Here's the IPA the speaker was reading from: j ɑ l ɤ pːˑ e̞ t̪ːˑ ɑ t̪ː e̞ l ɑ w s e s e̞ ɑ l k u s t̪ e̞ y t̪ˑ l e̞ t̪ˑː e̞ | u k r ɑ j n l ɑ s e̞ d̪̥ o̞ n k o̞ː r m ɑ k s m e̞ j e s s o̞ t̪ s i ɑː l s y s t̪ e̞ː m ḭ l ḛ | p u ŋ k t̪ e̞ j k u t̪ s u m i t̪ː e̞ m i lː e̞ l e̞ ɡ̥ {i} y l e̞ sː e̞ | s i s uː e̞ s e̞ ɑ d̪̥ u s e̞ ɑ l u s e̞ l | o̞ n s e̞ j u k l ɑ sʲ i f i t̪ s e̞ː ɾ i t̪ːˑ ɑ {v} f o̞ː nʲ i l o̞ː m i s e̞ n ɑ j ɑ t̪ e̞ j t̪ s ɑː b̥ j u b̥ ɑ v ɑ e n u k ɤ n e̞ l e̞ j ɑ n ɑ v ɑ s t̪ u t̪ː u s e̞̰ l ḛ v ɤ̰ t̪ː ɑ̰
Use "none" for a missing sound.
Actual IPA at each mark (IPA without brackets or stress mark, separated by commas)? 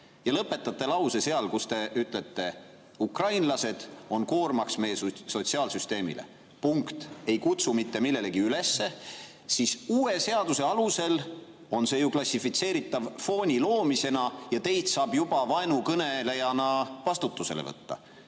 i, v